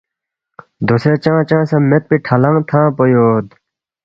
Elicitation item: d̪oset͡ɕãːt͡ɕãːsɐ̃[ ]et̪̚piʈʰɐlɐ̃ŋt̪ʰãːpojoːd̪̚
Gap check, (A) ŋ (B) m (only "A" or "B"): B